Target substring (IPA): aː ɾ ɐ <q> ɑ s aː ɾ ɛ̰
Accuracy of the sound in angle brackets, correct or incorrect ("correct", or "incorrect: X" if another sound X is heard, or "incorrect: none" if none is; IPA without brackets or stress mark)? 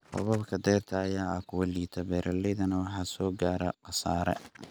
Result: correct